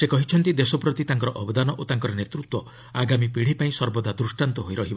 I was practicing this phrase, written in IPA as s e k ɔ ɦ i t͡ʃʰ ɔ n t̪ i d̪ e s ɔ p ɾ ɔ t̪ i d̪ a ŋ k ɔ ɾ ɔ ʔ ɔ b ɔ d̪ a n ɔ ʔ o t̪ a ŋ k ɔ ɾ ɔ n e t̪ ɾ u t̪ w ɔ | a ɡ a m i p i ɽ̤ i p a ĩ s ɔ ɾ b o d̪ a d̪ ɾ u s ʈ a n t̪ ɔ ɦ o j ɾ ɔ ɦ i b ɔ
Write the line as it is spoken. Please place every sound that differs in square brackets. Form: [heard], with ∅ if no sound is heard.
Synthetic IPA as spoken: s e k ɔ ɦ i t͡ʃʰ ɔ n t̪ i d̪ e s ɔ p ɾ ɔ t̪ i [t̪] a ŋ k ɔ ɾ ɔ ʔ ɔ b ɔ d̪ a n ɔ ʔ o t̪ a ŋ k ɔ ɾ ɔ n e t̪ ɾ u t̪ w ɔ | a ɡ a m i p i ɽ̤ i p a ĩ s ɔ ɾ b [ɔ] d̪ a d̪ ɾ u s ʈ a n t̪ ɔ ɦ o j ɾ ɔ ɦ i b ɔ